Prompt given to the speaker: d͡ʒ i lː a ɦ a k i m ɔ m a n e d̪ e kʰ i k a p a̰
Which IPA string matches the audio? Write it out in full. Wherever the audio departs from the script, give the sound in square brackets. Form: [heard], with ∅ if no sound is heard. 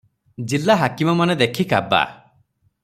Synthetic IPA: d͡ʒ i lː a ɦ a k i m ɔ m a n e d̪ e kʰ i k a [b] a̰